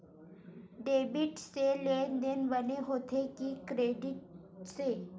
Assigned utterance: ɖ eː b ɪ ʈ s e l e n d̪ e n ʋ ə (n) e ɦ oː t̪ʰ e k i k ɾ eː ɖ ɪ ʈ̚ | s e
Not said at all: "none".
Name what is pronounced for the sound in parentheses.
n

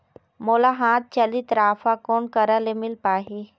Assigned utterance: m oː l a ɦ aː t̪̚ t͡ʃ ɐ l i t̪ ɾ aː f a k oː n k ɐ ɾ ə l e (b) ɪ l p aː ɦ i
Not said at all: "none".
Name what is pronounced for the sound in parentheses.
m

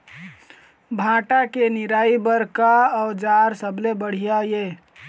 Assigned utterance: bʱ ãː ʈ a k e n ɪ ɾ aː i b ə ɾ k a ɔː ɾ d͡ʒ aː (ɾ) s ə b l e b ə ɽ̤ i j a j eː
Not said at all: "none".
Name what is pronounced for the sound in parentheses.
ɾ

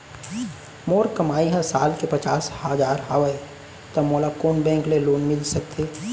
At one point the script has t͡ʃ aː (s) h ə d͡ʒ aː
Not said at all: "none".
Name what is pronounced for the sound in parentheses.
s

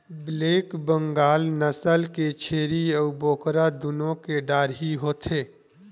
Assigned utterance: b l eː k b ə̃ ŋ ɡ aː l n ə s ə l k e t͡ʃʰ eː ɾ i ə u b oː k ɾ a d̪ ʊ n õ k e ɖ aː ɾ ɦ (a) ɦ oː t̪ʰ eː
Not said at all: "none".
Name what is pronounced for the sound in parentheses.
i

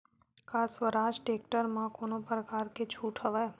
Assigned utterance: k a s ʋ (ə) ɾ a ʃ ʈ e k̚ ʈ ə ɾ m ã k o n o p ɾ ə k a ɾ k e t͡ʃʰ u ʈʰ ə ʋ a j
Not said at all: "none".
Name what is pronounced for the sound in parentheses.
ə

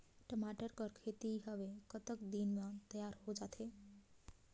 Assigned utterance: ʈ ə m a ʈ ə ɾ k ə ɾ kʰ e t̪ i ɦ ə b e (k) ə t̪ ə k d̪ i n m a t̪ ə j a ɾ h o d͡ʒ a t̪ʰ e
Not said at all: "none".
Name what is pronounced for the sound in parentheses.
k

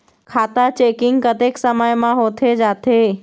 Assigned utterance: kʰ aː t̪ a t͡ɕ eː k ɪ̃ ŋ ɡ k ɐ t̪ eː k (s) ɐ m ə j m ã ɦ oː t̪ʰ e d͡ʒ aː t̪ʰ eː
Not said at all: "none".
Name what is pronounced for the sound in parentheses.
s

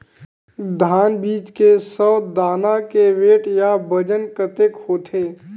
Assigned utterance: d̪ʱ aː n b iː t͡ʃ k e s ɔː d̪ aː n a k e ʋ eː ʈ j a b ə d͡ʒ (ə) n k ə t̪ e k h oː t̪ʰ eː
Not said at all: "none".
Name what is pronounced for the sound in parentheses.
ə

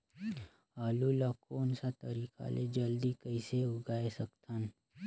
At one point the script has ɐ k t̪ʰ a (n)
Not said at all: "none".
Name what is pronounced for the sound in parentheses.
n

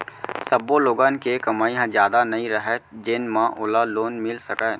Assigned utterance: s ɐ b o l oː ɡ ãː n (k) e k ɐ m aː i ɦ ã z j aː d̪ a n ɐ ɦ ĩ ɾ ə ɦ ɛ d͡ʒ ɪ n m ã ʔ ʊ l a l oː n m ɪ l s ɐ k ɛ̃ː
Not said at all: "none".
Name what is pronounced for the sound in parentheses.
k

